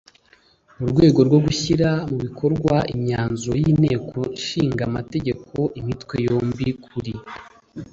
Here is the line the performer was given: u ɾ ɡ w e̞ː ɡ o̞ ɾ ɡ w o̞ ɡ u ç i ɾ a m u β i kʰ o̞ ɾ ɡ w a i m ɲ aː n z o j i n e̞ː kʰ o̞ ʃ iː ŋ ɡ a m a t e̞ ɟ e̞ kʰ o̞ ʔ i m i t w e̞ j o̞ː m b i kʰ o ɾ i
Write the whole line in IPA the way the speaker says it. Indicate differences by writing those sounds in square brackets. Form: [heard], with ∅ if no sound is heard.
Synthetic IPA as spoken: u ɾ ɡ w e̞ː ɡ o̞ ɾ ɡ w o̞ ɡ u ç i ɾ a m u β i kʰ o̞ ɾ ɡ w a i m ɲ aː n z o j i n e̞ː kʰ o̞ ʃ iː ŋ ɡ a m a t e̞ ɟ e̞ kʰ o̞ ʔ i m i t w e̞ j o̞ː m b i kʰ [u] ɾ i